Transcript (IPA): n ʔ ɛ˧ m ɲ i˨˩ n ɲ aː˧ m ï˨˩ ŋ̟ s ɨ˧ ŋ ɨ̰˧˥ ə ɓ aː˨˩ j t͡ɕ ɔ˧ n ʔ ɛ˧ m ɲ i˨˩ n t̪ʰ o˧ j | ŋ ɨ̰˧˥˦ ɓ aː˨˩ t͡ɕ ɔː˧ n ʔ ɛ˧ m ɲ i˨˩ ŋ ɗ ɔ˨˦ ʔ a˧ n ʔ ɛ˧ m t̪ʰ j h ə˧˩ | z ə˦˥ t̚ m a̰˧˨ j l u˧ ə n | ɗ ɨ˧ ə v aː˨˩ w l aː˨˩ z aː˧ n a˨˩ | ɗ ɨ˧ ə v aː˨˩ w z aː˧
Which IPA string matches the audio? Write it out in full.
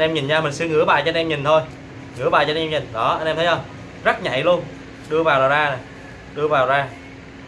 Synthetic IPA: n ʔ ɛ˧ m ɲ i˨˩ n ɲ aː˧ m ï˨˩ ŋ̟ s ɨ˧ ŋ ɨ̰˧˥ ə ɓ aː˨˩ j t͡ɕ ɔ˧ n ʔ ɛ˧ m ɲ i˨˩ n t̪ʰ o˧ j | ŋ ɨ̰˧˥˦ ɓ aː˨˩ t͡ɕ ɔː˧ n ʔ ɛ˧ m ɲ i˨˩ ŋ ɗ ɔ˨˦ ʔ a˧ n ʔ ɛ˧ m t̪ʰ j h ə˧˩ | z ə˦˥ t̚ ɲ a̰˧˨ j l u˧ ə n | ɗ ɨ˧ ə v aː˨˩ w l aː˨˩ z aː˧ n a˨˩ | ɗ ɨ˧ ə v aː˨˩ w z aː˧

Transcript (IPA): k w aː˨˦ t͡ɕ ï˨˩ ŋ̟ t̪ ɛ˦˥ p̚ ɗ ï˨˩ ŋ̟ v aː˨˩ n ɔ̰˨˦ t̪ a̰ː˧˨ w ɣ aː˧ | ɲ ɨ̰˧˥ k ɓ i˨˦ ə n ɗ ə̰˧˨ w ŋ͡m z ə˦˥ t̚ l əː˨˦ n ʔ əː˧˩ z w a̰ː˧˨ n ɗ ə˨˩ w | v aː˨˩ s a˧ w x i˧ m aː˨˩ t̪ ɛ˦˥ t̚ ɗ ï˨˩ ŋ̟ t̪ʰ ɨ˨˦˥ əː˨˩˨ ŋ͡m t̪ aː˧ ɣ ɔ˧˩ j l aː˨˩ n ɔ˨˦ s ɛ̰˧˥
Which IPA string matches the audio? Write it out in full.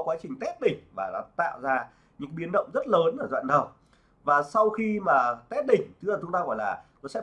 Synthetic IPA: k w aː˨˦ t͡ɕ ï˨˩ ŋ̟ t̪ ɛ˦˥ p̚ ɗ ï˨˩ ŋ̟ v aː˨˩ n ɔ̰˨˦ t̪ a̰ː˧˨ w z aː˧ | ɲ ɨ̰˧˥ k ɓ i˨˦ ə n ɗ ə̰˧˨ w ŋ͡m z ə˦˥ t̚ l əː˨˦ n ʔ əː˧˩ z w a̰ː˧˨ n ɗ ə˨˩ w | v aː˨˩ s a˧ w x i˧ m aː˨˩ t̪ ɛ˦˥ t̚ ɗ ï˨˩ ŋ̟ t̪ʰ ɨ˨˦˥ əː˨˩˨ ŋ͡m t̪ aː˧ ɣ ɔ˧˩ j l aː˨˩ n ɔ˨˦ s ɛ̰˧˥

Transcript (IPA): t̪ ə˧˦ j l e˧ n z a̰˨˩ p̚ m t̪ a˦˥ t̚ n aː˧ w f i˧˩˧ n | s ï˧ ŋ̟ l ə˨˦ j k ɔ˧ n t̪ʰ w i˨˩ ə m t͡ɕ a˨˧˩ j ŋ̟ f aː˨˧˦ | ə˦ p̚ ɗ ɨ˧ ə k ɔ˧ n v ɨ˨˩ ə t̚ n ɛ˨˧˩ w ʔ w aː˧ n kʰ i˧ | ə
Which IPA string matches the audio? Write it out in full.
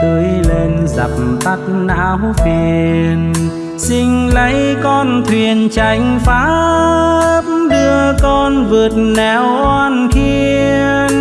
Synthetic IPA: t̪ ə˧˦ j l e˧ n z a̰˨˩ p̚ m t̪ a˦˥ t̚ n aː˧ w f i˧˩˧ n | s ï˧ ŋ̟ l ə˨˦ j k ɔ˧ n t̪ʰ w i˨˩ ə n t͡ɕ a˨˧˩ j ŋ̟ f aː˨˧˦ | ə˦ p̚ ɗ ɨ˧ ə k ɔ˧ n v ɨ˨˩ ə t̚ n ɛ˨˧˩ w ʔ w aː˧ n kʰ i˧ | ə

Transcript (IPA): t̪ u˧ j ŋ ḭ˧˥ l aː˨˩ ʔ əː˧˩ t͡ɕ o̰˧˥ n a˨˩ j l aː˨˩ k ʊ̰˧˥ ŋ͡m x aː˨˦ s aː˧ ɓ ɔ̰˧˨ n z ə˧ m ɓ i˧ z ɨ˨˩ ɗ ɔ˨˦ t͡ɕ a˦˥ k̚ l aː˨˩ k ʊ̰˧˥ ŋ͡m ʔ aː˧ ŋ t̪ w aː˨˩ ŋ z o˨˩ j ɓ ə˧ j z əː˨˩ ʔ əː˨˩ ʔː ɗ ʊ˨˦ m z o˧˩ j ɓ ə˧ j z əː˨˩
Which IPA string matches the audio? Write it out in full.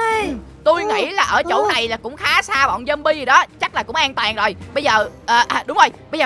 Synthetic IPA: t̪ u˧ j ŋ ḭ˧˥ l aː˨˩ ʔ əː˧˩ t͡ɕ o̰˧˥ n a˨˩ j l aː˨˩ k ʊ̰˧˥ ŋ͡m x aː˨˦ s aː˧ ɓ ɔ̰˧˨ n z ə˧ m ɓ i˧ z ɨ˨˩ ɗ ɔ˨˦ t͡ɕ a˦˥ k̚ l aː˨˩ k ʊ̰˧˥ ŋ͡m ʔ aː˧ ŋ t̪ w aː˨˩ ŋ z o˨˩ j ɓ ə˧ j z əː˨˩ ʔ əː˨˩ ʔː ɗ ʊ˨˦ ŋ͡m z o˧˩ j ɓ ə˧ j z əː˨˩

